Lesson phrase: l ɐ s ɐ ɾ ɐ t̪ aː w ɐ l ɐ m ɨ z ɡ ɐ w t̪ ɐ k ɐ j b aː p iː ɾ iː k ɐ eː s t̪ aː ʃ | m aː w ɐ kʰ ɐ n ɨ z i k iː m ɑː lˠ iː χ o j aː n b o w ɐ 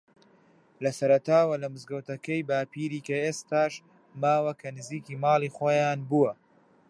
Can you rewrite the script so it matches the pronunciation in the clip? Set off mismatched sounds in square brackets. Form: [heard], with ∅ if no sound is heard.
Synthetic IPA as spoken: l ɐ s ɐ ɾ ɐ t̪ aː w ɐ l ɐ m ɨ z ɡ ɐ w t̪ ɐ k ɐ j b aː p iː ɾ iː k ɐ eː s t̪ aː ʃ | m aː w ɐ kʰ ɐ n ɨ z [iː] k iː m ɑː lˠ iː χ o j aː n b [u] w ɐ